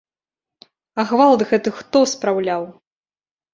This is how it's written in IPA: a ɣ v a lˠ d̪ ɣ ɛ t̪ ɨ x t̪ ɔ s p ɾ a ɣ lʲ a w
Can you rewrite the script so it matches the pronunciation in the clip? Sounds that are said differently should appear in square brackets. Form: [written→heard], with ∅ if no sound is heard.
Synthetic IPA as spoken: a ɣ v a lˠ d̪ ɣ ɛ t̪ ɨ x t̪ ɔ s p ɾ a [ɣ→w] lʲ a w